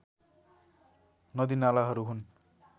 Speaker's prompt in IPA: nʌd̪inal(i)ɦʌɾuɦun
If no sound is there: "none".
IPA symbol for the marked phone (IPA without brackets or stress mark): a